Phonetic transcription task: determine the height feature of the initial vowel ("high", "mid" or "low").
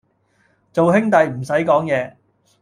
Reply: mid